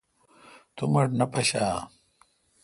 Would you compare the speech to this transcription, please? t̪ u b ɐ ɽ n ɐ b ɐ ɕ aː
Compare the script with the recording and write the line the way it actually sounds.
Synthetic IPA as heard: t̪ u m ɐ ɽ n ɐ p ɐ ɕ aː